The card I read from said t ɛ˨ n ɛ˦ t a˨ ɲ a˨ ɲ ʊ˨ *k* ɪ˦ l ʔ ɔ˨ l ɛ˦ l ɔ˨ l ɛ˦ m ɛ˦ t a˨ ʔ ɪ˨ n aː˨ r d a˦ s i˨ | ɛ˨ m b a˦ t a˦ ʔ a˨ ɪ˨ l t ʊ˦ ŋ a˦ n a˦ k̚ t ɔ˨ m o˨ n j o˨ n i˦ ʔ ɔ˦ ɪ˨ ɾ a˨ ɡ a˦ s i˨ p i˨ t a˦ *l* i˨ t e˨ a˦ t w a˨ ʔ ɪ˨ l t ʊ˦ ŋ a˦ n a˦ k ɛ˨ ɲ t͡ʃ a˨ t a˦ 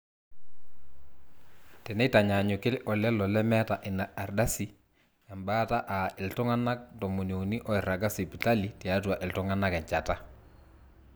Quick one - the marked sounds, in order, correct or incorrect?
correct, correct

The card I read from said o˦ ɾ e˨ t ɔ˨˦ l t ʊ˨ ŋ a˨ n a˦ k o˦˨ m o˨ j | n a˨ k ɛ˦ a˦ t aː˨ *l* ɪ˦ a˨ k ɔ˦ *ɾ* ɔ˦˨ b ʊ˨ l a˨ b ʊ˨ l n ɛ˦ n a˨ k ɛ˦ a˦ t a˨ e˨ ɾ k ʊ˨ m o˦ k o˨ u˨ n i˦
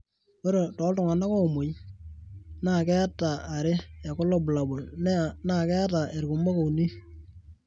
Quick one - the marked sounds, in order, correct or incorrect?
incorrect, incorrect

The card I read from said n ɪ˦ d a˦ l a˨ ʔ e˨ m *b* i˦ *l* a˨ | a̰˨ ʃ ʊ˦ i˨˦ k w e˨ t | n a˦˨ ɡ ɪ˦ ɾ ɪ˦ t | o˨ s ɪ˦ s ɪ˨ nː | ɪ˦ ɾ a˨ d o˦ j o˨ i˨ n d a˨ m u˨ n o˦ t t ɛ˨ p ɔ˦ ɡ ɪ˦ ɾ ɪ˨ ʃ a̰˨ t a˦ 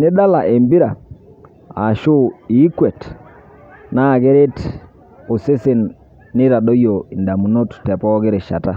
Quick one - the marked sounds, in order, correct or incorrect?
correct, incorrect

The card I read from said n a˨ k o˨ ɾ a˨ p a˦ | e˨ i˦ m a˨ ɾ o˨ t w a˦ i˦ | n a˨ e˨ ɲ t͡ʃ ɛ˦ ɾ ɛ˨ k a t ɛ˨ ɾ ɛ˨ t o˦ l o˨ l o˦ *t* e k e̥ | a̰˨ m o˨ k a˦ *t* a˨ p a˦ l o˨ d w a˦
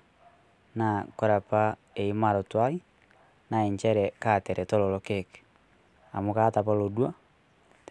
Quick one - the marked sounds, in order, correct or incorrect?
incorrect, correct

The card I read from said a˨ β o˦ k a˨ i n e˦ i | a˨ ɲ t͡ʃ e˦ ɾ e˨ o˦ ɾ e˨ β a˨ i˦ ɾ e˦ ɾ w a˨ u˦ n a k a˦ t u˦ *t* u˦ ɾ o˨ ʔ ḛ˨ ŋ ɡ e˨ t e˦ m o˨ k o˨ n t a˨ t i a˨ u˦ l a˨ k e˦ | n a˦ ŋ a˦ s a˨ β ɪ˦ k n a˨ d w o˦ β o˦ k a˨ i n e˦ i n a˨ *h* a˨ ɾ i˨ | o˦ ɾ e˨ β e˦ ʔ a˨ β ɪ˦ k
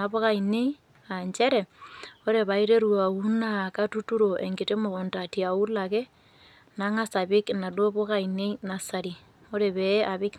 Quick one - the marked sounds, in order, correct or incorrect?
correct, incorrect

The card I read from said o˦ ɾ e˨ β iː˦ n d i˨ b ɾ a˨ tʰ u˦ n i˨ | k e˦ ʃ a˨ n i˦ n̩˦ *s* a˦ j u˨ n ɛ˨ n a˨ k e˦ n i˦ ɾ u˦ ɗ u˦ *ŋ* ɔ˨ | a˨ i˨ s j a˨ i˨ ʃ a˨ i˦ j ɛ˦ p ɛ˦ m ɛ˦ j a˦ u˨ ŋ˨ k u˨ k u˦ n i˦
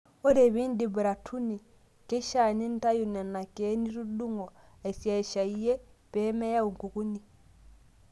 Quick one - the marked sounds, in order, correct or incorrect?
incorrect, correct

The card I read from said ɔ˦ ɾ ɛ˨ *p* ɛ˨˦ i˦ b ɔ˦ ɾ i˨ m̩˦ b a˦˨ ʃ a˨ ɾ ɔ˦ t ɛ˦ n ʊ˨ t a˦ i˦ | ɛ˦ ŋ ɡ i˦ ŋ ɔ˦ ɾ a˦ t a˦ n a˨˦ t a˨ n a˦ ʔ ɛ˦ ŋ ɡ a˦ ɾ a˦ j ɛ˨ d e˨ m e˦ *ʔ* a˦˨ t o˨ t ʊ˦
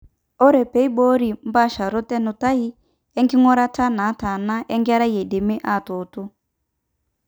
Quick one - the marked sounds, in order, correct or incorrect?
correct, correct

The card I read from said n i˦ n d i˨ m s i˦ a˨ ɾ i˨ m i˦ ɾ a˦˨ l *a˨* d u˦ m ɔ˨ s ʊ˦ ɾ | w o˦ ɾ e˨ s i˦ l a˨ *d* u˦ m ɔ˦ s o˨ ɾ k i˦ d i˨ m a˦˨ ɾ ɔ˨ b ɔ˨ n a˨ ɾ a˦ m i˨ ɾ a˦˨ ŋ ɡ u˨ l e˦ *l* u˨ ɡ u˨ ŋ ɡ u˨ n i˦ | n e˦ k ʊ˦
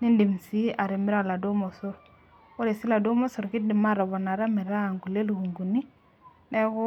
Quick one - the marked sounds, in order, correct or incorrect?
correct, correct, correct

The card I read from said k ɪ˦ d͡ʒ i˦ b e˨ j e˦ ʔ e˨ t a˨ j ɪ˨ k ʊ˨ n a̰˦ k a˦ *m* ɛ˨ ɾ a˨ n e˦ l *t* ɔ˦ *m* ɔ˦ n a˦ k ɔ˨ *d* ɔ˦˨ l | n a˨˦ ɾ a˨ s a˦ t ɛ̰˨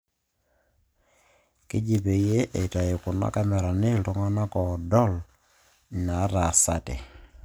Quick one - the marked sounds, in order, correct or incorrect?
correct, correct, incorrect, correct

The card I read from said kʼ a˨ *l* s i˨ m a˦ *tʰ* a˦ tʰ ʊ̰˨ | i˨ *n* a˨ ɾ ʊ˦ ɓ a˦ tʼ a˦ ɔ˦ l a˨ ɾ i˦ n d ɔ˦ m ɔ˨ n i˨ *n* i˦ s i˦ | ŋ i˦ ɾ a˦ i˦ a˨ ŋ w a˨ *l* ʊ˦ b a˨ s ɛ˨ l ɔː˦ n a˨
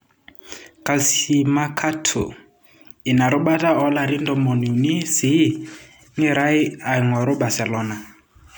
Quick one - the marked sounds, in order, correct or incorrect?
correct, incorrect, correct, correct, incorrect

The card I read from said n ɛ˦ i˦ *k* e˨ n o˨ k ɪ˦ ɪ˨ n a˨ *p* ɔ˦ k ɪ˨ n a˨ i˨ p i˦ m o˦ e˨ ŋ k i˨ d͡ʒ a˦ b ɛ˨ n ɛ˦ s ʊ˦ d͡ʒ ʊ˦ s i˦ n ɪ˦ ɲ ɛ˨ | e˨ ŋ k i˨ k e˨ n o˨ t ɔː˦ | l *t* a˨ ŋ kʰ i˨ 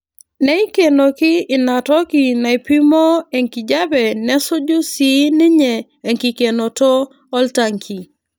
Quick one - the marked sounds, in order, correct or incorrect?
correct, incorrect, correct

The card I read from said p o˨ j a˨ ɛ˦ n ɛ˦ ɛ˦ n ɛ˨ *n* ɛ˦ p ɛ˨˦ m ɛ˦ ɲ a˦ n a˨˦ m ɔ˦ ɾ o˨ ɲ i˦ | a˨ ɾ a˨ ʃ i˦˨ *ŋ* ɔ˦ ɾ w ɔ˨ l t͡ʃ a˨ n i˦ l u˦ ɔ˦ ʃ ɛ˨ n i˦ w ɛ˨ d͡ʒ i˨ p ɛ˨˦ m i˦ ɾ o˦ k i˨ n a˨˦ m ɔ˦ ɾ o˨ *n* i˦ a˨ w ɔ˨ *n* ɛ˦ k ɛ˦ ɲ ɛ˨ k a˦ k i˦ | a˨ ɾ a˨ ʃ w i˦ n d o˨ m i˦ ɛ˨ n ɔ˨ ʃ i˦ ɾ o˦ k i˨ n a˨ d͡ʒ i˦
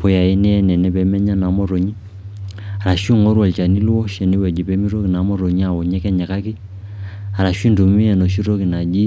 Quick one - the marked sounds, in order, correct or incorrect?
correct, correct, incorrect, incorrect

